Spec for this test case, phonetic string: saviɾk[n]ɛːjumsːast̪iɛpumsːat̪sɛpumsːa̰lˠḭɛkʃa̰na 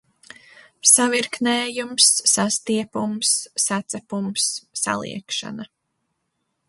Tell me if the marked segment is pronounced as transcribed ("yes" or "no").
yes